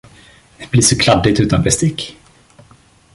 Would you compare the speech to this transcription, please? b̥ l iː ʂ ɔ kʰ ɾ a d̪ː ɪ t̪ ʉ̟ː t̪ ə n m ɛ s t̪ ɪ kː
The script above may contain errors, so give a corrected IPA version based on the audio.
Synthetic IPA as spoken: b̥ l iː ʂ ɔ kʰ l a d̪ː ɪ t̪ ʉ̟ː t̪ a n b ɛ s t̪ ɪ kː